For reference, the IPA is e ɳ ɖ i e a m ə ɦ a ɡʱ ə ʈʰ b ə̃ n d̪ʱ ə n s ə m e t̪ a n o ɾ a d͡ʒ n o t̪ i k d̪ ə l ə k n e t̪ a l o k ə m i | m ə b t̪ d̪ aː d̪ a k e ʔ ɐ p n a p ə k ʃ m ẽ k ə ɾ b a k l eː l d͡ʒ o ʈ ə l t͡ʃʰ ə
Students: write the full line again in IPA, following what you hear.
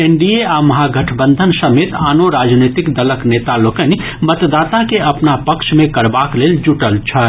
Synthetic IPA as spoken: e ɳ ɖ i e a m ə ɦ a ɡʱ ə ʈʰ b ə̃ n d̪ʱ ə n s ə m e t̪ a n o ɾ a d͡ʒ n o t̪ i k d̪ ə l ə k n e t̪ a l o k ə n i | m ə t̪ d̪ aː t̪ a k e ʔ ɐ p n a p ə k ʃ m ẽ k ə ɾ b a k l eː l d͡ʒ u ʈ ə l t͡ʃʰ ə